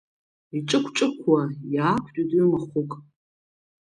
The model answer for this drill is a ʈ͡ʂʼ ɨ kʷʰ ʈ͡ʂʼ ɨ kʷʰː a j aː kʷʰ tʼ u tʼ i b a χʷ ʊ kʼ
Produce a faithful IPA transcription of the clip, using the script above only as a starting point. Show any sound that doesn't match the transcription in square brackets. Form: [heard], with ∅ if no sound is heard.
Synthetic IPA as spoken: [i] ʈ͡ʂʼ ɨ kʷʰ ʈ͡ʂʼ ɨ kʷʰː a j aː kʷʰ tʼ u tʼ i [m] a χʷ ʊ kʼ